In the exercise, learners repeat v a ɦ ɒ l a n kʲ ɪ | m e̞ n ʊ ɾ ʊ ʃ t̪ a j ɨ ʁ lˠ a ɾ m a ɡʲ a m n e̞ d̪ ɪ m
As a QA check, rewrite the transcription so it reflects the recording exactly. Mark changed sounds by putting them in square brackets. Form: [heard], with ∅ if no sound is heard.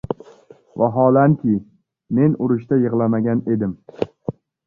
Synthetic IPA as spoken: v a ɦ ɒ l a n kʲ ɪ | m e̞ n ʊ ɾ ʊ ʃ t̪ a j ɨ ʁ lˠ a [∅] m a ɡʲ a [∅] n e̞ d̪ ɪ m